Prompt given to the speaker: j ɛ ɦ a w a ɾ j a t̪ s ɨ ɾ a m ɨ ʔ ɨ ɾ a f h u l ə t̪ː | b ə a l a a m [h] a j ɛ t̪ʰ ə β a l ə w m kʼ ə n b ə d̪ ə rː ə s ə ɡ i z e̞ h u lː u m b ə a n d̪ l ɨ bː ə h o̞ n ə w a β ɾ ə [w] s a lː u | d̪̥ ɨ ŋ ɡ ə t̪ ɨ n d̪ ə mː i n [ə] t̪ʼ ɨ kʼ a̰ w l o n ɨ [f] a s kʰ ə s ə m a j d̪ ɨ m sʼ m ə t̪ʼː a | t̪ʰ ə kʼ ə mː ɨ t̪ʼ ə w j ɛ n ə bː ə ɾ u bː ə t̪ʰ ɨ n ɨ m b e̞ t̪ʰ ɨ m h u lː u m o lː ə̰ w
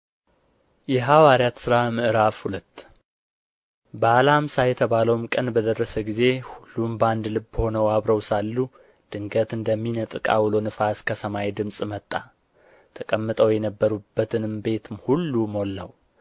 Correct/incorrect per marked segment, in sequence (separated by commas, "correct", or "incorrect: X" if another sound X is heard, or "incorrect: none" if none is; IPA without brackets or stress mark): incorrect: s, correct, correct, correct